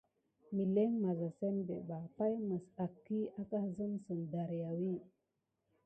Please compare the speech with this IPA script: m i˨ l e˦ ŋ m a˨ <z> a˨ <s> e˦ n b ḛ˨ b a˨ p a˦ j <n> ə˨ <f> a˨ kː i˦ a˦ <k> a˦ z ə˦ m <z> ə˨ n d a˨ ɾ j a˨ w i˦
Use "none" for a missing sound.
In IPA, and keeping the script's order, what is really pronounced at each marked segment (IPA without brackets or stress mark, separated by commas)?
z, s, m, s, k, s